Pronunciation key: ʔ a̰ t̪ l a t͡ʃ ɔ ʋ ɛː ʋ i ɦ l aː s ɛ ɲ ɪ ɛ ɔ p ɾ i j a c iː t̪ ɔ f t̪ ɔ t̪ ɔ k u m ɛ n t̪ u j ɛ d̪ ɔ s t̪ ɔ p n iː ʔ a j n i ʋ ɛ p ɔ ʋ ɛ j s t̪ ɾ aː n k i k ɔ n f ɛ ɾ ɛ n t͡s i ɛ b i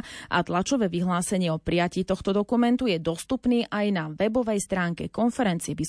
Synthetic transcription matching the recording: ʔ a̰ t̪ l a t͡ʃ ɔ ʋ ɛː ʋ i ɦ l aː s ɛ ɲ ɪ ɛ ɔ p ɾ i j a c iː t̪ ɔ x t̪ ɔ d̪ ɔ k u m ɛ n t̪ u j ɛ d̪ ɔ s t̪ u p n iː ʔ a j n a ʋ ɛ b ɔ ʋ ɛ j s t̪ ɾ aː ŋ k ɛ k ɔ n f ɛ ɾ ɛ n t͡s i ɛ b i